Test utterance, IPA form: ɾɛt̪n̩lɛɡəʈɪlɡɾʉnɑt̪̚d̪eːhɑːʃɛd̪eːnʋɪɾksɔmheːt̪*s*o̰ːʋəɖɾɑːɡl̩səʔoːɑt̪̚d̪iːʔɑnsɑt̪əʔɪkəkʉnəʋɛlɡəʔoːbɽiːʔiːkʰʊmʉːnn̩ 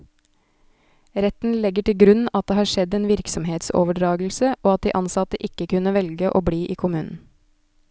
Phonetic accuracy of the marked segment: correct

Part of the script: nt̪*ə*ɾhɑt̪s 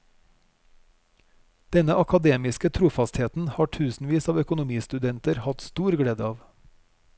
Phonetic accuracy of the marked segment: correct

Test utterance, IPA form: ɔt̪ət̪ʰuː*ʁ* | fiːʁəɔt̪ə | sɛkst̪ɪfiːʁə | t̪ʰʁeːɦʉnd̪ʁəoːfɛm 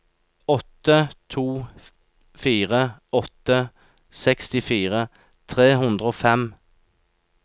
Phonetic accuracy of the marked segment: incorrect: none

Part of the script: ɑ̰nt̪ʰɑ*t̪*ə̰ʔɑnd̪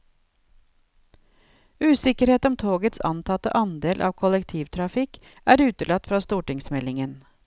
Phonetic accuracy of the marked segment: correct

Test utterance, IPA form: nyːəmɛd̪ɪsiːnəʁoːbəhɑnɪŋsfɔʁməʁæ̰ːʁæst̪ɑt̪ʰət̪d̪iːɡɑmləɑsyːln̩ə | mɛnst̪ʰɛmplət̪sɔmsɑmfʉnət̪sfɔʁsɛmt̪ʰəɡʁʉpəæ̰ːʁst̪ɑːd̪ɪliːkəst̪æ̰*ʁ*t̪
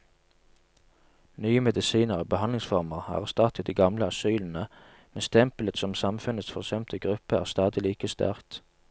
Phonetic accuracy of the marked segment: correct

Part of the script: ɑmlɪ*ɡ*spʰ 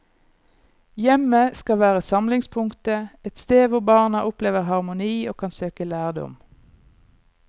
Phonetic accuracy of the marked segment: incorrect: ŋ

